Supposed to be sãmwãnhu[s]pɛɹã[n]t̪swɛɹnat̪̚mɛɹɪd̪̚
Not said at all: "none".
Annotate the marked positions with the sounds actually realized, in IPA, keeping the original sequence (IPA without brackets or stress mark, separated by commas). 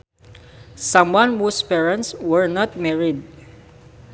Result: s, n